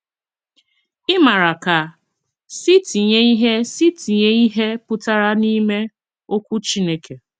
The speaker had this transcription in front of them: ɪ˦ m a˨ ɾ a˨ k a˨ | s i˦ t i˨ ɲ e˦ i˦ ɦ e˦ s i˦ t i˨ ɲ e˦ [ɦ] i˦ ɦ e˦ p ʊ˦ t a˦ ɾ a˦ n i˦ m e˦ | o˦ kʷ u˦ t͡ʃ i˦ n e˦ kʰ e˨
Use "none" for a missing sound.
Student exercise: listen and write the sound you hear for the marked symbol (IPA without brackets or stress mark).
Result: none